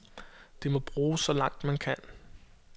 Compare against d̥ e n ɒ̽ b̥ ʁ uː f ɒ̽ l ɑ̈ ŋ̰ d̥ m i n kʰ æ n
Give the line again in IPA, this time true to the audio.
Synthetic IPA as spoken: d̥ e m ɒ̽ b̥ ʁ uː s ɒ̽ l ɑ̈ ŋ̰ d̥ m æ n kʰ æ n